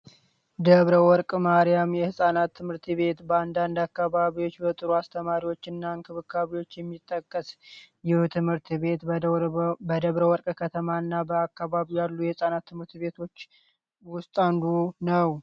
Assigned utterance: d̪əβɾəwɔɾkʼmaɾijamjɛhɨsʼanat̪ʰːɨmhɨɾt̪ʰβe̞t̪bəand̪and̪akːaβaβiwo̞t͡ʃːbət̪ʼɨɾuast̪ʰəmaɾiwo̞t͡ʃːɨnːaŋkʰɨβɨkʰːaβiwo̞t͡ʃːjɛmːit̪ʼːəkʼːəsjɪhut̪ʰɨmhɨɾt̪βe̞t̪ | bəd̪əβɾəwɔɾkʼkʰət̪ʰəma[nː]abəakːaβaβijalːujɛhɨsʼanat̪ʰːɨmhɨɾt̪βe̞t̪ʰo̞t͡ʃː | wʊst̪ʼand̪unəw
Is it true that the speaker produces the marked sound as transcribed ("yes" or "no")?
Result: yes